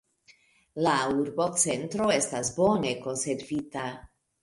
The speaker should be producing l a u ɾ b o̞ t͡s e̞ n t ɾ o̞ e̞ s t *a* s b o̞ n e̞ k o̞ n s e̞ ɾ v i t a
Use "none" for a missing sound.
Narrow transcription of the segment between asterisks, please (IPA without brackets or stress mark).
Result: a